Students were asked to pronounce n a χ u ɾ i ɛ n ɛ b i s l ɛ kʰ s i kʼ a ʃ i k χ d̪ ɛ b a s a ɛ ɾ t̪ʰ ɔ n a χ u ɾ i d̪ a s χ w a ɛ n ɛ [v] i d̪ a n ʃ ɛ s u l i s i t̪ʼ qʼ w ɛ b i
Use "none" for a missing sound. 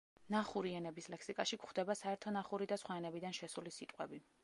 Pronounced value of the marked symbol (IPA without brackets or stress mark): b